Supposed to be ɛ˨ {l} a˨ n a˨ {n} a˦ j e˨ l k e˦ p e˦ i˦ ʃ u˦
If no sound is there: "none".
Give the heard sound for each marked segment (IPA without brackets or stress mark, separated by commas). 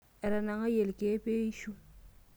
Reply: ɾ, ŋ